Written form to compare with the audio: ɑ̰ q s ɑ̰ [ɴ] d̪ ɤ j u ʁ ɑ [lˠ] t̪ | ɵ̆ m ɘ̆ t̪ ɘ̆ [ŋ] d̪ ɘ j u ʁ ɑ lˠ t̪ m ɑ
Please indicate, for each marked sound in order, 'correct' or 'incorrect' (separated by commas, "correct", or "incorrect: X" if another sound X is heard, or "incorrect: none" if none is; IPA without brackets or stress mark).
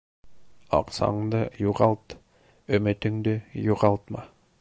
correct, correct, correct